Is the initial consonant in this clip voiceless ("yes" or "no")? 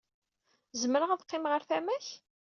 no